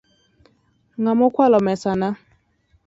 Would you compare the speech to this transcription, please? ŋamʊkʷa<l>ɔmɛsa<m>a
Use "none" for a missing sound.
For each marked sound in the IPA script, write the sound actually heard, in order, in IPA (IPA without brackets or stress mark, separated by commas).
l, n